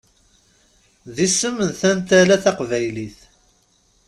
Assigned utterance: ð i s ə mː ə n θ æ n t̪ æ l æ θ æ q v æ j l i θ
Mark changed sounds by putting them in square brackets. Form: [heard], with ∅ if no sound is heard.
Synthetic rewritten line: ð i s ə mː ə n θ æ n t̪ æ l æ θ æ q v æ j l i θ